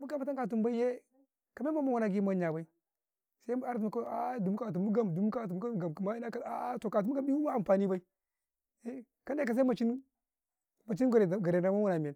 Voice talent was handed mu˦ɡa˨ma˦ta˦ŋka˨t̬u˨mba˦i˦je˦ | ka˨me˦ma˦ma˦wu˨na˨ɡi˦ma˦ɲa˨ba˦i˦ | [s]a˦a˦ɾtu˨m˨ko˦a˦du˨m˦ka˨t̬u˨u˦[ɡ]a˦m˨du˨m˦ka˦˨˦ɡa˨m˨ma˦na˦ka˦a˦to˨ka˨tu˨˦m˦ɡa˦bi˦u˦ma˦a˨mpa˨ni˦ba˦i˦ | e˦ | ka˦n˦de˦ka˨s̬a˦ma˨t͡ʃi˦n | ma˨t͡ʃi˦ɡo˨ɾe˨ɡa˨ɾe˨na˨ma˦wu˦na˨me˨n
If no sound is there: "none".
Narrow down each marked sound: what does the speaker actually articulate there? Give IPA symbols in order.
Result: s, ɡ

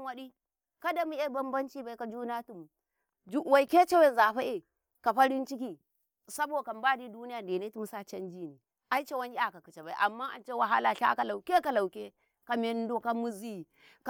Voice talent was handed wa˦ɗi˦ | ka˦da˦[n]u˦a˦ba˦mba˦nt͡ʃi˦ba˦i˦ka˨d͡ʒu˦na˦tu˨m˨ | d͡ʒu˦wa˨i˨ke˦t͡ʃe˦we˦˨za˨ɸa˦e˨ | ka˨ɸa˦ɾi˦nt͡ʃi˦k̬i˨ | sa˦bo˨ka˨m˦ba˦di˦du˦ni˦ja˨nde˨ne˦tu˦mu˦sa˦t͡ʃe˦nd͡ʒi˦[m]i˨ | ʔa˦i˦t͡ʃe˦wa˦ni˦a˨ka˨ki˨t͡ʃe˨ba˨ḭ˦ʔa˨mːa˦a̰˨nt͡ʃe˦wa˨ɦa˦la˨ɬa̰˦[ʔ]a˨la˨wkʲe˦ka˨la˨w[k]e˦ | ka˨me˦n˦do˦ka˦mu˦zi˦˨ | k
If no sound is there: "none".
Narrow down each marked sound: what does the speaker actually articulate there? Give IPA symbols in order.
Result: m, n, k, k

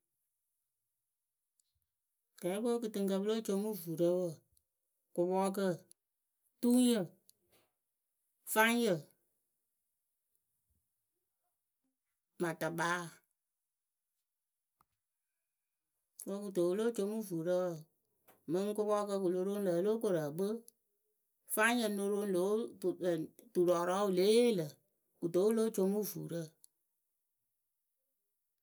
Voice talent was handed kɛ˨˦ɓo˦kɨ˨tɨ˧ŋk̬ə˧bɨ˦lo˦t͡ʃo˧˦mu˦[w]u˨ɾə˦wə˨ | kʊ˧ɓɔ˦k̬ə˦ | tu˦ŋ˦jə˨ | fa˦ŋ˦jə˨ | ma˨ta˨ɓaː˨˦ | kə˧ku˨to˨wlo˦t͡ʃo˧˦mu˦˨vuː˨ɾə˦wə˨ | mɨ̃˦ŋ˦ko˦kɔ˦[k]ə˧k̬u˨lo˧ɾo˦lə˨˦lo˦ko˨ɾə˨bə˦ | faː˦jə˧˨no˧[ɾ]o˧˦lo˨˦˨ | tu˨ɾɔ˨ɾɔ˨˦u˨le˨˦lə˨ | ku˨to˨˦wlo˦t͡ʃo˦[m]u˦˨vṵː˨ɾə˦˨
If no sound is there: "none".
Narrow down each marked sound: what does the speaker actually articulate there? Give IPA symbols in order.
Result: v, k, ɾ, m

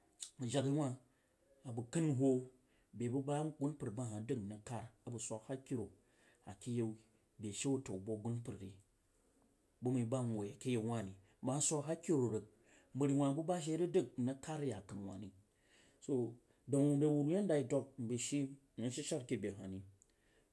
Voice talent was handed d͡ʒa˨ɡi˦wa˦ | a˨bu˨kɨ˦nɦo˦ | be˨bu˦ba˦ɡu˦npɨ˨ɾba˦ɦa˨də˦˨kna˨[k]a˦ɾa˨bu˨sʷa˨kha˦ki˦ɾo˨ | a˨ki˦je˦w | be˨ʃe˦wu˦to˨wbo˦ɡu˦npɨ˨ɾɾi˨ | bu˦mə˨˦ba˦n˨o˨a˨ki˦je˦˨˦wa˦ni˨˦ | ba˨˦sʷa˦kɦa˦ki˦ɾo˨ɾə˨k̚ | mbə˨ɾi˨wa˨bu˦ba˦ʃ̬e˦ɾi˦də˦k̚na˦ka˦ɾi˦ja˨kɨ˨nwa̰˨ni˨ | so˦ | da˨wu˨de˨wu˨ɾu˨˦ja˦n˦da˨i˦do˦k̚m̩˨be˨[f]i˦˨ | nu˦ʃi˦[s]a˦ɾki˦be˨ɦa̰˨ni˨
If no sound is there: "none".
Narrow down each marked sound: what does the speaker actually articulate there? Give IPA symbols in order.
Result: k, ʃ, ʃ

